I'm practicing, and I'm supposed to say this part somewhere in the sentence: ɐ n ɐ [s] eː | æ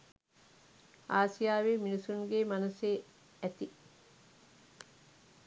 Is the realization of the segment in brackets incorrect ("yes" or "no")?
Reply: no